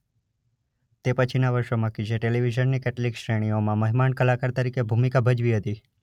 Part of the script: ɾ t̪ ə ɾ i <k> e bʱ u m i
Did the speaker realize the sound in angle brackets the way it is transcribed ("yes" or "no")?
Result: yes